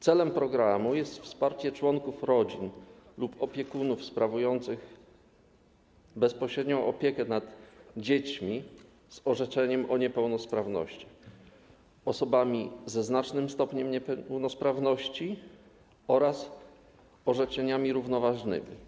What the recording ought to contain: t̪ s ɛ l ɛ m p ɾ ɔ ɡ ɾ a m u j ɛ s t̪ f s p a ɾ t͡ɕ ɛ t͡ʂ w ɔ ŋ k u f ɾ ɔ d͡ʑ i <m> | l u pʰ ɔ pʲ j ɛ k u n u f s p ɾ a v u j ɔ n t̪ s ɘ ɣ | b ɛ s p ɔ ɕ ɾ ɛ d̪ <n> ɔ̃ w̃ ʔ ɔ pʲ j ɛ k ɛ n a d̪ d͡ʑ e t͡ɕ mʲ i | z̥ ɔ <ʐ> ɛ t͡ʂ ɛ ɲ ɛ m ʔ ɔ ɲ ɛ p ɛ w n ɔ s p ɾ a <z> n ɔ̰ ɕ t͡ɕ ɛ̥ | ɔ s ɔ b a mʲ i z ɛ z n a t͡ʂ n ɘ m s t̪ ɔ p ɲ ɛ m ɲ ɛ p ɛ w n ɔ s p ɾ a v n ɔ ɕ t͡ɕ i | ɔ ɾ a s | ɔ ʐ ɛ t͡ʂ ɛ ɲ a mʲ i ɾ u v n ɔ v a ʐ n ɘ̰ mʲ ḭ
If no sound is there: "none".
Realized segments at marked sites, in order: n, ɲ, ʐ, v

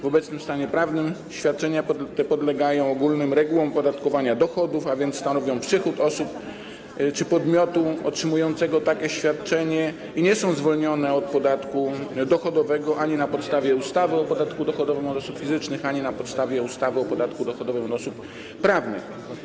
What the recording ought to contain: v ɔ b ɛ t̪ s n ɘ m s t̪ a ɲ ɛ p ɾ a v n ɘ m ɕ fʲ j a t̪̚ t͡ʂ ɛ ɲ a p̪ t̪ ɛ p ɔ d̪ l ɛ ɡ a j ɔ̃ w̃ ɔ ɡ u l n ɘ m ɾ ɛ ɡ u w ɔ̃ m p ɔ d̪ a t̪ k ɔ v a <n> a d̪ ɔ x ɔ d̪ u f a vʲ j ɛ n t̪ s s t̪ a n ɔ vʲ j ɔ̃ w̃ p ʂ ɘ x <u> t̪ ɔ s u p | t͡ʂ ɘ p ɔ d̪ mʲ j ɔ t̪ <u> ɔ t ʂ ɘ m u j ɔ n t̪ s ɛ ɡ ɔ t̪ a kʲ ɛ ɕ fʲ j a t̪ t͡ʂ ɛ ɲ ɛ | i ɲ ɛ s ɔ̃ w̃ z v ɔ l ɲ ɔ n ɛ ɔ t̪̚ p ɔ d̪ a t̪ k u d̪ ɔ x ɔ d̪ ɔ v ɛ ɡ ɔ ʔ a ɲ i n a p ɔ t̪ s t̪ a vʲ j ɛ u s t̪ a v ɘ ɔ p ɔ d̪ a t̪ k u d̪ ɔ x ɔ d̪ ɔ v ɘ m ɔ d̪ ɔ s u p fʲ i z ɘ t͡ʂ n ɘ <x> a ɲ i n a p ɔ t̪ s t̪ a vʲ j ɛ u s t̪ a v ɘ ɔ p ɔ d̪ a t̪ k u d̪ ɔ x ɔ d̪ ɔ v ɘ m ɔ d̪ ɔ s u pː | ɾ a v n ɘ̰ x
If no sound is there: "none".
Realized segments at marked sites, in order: ɲ, u, u, x

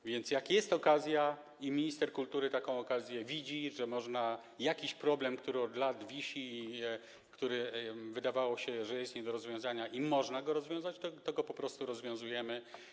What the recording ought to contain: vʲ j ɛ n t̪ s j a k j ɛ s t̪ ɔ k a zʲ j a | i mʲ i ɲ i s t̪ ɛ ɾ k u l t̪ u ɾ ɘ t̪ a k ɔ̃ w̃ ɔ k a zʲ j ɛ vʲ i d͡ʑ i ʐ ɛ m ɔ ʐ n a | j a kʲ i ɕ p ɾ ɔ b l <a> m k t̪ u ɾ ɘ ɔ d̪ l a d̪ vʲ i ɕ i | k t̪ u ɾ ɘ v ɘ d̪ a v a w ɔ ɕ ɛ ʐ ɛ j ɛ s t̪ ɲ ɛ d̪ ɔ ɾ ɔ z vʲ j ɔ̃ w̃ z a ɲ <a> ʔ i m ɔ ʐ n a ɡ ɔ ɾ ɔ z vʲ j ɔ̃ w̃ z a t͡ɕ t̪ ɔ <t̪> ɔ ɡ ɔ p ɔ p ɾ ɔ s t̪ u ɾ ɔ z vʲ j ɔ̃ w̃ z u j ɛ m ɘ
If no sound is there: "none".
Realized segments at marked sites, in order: ɛ, a, t̪

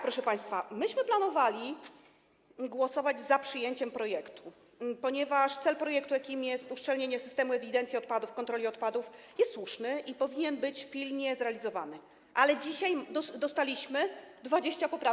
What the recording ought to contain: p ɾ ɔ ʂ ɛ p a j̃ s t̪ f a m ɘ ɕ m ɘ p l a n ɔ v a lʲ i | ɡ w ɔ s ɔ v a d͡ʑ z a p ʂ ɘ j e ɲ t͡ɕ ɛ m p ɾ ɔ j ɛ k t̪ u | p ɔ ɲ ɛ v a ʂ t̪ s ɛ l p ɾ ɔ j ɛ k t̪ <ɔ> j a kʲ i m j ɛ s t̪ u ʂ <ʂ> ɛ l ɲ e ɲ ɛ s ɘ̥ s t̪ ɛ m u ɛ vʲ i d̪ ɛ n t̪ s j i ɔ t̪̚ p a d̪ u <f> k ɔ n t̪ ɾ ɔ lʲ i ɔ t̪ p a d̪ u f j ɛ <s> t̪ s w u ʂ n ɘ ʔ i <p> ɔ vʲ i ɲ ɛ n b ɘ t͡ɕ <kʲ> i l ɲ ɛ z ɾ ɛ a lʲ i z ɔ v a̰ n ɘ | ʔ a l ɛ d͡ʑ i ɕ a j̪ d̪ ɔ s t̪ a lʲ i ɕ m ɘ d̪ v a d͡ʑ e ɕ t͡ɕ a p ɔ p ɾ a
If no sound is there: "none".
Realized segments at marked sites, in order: u, t͡ʂ, f, s, p, pʲ

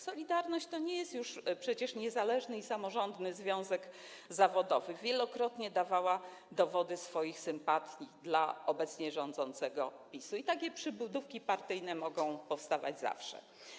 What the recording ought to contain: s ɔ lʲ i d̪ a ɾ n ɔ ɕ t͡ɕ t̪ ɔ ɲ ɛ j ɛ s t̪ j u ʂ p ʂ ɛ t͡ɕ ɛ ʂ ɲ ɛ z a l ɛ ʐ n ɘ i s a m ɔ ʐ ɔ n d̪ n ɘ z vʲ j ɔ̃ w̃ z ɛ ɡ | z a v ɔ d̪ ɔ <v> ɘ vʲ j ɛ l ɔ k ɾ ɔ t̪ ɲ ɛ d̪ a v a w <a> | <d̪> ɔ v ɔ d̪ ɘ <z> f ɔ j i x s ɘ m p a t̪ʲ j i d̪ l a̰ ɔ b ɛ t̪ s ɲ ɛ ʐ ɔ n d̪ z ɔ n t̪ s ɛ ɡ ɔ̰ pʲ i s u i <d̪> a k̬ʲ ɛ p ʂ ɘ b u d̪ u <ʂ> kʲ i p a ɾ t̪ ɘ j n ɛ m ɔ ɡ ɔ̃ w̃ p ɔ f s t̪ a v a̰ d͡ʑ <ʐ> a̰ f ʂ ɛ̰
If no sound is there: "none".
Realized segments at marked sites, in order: v, a, d̪, s, t̪, f, z

